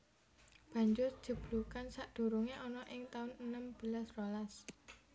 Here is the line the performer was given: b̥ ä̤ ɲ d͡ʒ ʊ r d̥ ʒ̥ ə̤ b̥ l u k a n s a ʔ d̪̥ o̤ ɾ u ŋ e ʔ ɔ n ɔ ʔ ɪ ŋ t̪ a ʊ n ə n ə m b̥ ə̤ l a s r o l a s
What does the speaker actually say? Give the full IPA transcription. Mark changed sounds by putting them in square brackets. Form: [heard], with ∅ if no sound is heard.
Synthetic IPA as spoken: b̥ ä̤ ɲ d͡ʒ ʊ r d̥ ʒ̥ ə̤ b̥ l u k a n s a ʔ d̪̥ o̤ ɾ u ŋ e ʔ ɔ n ɔ ʔ ɪ ŋ t̪ a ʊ n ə n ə m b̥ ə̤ l a s r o l a s

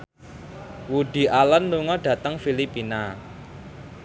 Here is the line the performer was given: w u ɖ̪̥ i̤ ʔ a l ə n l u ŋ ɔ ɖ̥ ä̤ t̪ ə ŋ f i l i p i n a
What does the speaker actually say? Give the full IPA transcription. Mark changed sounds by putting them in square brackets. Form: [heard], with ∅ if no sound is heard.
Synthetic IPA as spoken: w u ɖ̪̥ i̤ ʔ a l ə n l u ŋ ɔ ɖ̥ ä̤ t̪ ə ŋ f i l i p i n a

